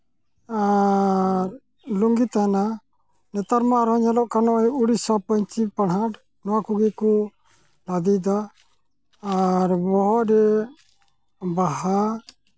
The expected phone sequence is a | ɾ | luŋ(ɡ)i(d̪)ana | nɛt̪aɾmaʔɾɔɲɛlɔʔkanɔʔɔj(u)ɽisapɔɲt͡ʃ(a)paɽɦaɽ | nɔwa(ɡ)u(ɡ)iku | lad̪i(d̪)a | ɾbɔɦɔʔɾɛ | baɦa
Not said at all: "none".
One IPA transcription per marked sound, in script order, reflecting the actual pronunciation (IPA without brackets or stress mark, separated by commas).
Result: ɡ, t̪, u, i, k, ɡ, d̪